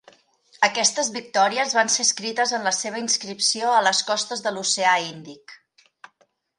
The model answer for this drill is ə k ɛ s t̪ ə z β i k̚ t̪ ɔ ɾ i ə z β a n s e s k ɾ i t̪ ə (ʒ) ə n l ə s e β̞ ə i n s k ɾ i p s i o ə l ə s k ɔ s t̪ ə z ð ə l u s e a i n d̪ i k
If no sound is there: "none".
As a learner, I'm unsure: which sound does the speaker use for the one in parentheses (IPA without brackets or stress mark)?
z